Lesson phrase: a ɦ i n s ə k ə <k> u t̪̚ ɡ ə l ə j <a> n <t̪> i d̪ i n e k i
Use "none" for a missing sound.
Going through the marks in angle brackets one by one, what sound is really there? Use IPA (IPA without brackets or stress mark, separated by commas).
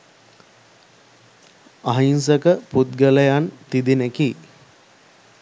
p, a, t̪